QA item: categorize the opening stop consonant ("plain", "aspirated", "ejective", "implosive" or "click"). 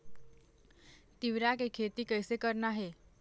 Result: plain